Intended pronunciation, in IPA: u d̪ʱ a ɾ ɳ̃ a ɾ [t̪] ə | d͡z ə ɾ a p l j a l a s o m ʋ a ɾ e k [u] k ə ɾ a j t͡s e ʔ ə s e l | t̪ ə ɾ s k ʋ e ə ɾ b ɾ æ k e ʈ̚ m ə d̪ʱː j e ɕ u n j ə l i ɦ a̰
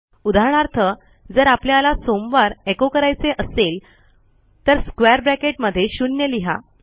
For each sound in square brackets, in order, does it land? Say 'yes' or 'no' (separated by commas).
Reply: no, no